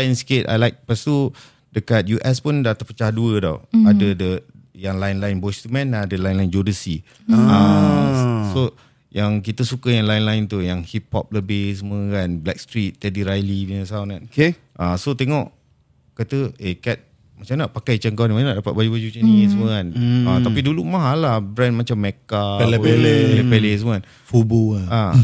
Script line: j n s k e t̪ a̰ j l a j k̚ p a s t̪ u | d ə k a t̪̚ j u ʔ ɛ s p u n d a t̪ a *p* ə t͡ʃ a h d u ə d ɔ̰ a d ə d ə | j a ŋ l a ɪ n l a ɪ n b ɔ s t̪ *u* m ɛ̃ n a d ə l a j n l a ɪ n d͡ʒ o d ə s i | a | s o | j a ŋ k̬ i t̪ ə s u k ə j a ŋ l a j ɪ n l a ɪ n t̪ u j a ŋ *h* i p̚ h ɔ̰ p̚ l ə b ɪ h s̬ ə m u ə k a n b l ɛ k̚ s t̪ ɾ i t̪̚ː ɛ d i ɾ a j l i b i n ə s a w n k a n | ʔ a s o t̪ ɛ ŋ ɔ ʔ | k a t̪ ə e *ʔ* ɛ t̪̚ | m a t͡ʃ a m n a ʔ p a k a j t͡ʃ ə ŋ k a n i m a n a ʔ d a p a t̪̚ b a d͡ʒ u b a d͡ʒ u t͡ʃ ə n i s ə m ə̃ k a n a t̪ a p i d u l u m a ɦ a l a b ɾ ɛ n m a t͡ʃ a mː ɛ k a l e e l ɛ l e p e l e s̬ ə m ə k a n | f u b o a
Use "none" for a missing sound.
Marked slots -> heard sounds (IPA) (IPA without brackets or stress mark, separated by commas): p, u, h, k